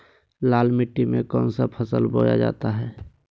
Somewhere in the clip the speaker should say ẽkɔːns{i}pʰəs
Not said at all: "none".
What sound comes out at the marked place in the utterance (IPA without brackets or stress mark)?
a